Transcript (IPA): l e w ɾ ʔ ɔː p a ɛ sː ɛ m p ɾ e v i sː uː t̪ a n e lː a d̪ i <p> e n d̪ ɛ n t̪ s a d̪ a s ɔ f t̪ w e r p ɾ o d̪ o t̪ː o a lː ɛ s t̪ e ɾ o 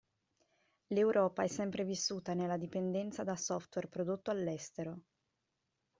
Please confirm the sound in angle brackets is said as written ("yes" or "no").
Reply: yes